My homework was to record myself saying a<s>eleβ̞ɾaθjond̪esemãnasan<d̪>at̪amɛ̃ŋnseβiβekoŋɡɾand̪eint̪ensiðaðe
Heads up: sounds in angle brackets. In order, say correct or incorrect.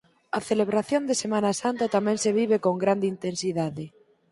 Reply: incorrect: θ, incorrect: t̪

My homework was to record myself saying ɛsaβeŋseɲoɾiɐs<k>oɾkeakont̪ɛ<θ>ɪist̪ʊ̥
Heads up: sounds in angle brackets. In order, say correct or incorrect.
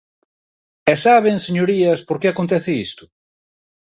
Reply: incorrect: p, correct

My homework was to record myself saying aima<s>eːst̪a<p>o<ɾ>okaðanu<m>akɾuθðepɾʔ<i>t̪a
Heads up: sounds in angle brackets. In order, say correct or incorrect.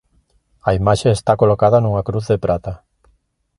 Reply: incorrect: ʃ, incorrect: k, incorrect: l, incorrect: ŋ, incorrect: a

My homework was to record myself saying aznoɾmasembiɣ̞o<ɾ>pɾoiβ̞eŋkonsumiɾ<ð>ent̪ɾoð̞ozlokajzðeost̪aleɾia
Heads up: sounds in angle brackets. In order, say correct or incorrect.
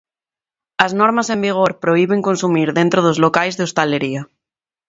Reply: correct, correct

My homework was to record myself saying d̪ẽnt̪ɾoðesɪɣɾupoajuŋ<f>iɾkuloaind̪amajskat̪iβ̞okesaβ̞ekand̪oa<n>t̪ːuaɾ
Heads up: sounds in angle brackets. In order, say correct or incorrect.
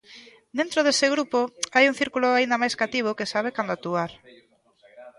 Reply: incorrect: θ, incorrect: none

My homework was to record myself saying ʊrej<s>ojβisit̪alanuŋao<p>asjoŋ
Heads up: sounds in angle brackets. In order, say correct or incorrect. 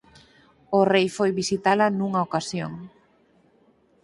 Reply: incorrect: f, incorrect: k

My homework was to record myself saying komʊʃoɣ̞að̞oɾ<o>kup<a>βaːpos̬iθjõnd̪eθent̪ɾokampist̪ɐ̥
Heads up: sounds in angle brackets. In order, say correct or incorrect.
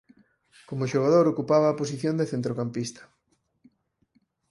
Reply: correct, correct

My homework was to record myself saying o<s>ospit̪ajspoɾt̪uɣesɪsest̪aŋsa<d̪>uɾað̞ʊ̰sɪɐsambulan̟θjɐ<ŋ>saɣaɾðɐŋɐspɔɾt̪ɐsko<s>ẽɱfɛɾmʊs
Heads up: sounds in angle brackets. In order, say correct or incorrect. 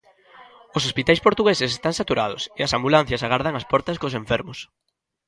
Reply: correct, incorrect: t̪, incorrect: none, correct

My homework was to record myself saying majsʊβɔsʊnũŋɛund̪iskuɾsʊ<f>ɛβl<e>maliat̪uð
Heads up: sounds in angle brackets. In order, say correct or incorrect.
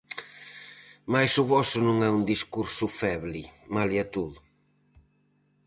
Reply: correct, incorrect: i

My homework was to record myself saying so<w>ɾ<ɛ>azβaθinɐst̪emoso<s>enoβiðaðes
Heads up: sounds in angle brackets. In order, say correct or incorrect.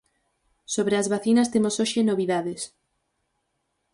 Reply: incorrect: β, incorrect: e, incorrect: ʃ

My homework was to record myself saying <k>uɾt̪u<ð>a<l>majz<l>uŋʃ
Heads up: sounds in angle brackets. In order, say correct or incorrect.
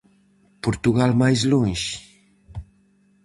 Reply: incorrect: p, incorrect: ɣ, correct, correct

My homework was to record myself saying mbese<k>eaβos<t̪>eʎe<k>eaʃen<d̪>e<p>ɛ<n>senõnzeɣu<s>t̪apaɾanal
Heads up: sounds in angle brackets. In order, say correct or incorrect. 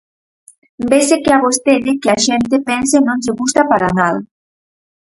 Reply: correct, correct, correct, incorrect: t̪, correct, correct, correct

